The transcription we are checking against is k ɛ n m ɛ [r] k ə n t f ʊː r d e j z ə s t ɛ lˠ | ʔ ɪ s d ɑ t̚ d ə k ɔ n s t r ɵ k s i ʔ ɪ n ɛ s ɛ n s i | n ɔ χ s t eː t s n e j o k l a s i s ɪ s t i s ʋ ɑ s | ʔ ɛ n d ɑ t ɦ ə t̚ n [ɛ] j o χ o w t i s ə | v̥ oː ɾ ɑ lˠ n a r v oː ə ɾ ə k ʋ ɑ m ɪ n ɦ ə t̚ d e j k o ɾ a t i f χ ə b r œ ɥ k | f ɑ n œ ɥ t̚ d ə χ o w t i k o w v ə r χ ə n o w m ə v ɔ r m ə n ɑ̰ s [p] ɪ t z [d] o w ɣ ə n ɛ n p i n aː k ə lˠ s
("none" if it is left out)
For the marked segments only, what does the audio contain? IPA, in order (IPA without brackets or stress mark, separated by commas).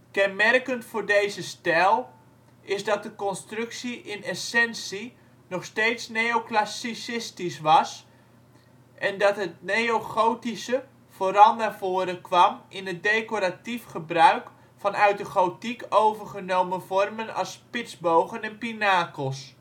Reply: r, e, p, b